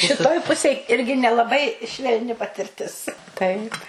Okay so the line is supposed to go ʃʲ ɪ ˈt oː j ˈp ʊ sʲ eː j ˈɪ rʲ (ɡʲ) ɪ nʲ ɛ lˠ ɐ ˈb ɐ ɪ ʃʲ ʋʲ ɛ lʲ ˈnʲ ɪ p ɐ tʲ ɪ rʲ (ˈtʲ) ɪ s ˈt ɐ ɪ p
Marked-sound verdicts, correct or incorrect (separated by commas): correct, correct